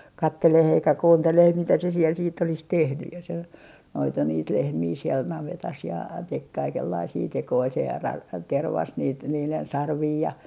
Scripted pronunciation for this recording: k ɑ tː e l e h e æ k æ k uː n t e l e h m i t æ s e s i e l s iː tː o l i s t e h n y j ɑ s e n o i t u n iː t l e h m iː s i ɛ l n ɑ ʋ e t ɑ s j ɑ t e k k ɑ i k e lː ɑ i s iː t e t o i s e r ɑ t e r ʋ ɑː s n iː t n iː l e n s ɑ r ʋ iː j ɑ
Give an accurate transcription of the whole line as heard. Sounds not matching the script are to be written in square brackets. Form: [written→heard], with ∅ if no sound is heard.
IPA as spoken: k ɑ tː e l e h e [æ→i] k æ k uː n t e l e h m i t æ s e s i e l s iː tː o l i s t e h n y j ɑ s e n o i t u n iː t l e h m iː s i ɛ l n ɑ ʋ e t ɑ s j ɑ t e k k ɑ i k e lː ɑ i s iː t e [t→k] o i s e r ɑ t e r ʋ [ɑː→ɑ] s n iː t n iː l e n s ɑ r ʋ iː j ɑ

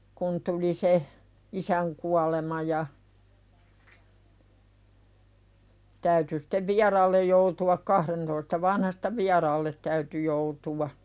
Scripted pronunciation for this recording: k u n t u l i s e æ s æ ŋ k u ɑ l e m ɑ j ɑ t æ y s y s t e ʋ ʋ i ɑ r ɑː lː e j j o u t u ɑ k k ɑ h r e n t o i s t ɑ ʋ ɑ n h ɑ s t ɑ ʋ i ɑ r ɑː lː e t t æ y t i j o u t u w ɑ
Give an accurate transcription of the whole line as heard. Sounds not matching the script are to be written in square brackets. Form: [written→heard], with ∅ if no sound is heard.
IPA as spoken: k u n t u l i s e [æ→i] s æ ŋ k u ɑ l e m ɑ j ɑ t æ y [s→t] y s t e ʋ ʋ i ɑ r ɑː lː e j j o u t u ɑ k k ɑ h r e n t o i s t ɑ ʋ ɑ n h ɑ s t ɑ ʋ i ɑ r ɑː lː e t t æ y t [i→y] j o u t u w ɑ

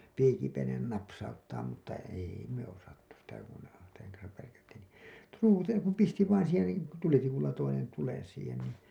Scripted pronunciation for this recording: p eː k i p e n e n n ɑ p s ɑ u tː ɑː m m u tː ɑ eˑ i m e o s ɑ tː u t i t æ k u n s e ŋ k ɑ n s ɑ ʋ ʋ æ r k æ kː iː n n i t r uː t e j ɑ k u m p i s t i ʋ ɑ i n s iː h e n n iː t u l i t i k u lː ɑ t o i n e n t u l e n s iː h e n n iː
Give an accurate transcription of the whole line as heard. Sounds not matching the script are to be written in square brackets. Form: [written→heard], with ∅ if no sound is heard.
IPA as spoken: p [eː→iː] k i p e n e n n ɑ p s ɑ u tː ɑː m m u tː ɑ eˑ i m e o s ɑ tː u [t→s] i t æ k u n s e ŋ k ɑ n s ɑ ʋ ʋ æ r k æ [kː→tː] iː n n i t r uː t e j ɑ k u m p i s t i ʋ ɑ i n s iː h e n n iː t u l i t i k u lː ɑ t o i n e n t u l e n s iː h e n n iː

